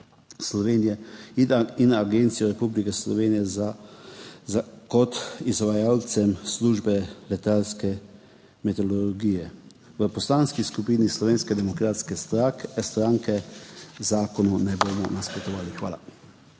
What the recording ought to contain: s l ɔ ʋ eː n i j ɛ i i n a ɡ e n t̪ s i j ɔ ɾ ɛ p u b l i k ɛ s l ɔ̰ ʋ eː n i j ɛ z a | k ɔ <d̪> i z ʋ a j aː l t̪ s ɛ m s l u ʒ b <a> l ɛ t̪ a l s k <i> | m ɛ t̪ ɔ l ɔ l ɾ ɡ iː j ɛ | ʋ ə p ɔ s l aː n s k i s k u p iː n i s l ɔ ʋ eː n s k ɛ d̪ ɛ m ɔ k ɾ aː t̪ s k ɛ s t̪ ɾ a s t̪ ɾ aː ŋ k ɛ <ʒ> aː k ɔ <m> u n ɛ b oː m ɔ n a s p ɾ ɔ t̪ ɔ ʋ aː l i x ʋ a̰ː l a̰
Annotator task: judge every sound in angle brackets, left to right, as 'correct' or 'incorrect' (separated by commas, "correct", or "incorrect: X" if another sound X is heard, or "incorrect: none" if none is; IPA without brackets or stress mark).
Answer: incorrect: t̪, incorrect: ɛ, incorrect: ɛ, incorrect: z, incorrect: n